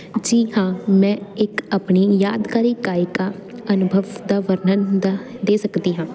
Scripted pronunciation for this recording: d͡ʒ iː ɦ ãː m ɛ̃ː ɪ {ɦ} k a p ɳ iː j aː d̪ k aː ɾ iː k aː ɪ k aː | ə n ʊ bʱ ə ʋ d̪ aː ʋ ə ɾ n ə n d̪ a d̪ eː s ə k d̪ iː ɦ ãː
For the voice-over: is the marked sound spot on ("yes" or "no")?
no